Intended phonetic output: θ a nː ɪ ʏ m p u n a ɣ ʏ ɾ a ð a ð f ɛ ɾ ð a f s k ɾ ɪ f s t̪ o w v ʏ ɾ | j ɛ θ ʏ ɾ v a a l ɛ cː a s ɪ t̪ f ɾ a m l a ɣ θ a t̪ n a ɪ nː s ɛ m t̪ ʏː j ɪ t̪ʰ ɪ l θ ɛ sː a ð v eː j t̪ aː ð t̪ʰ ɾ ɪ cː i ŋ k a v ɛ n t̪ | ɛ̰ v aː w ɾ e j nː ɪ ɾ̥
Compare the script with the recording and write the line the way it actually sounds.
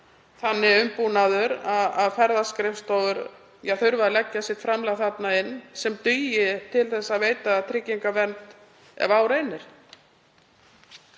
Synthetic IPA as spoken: θ a nː ɪ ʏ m p u n a ð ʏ ɾ a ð a ð f ɛ ɾ ð a s k ɾ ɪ f s t̪ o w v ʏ ɾ | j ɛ θ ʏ ɾ v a a l ɛ cː a s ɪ t̪ f ɾ a m l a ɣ θ a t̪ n a ɪ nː s ɛ m t̪ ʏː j ɪ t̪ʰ ɪ l θ ɛ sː a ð v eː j t̪ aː ð t̪ʰ ɾ ɪ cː i ŋ k a v ɛ n t̪ | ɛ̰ v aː w ɾ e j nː ɪ ɾ̥